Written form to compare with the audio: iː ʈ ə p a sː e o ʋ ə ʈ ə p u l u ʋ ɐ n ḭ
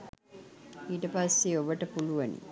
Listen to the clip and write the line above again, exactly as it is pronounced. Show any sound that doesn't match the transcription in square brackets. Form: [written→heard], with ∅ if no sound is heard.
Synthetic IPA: iː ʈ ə p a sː e o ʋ ə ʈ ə p u l u ʋ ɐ n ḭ